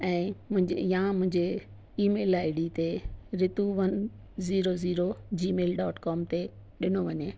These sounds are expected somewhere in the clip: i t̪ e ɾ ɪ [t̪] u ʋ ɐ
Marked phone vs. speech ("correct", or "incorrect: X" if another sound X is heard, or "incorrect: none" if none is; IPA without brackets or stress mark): correct